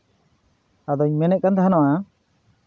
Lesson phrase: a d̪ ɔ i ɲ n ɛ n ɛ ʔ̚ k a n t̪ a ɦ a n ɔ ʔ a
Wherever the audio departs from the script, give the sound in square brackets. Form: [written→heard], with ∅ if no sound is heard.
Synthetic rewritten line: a d̪ ɔ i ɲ [n→m] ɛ n ɛ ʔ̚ k a n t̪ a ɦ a n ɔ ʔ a